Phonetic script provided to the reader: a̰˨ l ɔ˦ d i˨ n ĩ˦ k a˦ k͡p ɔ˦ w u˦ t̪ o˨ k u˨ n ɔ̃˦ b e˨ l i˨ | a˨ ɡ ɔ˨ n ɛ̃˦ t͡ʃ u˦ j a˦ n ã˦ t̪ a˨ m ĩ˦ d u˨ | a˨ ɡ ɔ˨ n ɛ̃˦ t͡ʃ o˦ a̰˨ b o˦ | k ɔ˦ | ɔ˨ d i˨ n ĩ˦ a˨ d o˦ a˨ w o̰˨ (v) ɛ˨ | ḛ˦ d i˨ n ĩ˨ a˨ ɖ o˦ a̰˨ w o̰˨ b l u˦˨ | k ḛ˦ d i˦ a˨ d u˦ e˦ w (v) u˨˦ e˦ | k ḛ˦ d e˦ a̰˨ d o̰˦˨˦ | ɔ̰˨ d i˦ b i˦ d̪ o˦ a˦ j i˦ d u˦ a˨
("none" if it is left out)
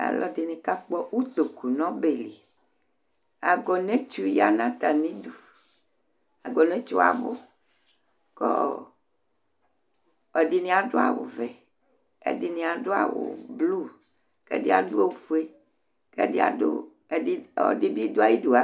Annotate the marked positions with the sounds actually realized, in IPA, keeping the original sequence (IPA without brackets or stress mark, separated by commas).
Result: v, f